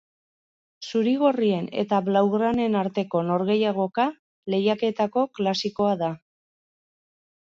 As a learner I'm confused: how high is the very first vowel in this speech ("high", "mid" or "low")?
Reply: high